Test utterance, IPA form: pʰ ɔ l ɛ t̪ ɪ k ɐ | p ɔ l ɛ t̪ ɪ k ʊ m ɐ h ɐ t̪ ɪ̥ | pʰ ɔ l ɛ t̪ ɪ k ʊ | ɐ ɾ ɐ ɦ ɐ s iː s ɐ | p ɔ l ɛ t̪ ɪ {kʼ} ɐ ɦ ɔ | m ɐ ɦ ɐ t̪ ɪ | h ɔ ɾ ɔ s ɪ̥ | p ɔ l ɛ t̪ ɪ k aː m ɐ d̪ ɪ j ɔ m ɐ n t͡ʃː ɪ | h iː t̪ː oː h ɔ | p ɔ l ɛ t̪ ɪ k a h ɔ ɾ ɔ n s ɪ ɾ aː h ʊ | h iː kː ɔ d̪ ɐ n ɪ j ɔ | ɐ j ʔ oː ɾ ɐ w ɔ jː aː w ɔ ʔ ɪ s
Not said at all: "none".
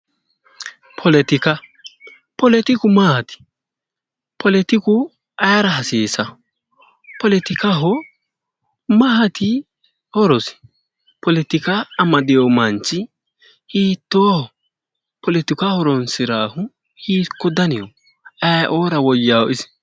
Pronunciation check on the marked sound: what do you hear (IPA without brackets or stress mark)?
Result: k